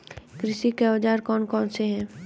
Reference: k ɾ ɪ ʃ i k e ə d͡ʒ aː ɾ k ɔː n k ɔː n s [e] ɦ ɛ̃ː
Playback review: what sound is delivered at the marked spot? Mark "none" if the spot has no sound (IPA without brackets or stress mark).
e